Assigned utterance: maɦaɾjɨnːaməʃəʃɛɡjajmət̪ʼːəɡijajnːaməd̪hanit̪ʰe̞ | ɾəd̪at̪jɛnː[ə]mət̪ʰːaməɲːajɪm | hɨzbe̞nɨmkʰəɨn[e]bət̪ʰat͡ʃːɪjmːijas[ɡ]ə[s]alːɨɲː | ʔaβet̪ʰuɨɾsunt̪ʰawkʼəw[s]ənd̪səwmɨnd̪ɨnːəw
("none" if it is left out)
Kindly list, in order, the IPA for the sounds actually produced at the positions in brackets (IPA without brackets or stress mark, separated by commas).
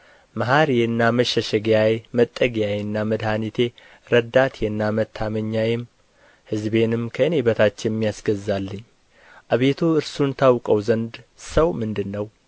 a, e, ɡ, z, z